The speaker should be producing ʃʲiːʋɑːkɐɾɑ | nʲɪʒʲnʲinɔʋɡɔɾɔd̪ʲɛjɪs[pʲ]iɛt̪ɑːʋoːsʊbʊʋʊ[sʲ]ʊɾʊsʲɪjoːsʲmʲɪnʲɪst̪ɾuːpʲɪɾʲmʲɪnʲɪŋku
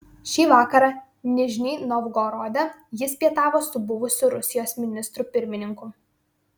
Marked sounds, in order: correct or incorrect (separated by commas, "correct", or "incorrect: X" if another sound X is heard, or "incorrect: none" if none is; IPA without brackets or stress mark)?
correct, correct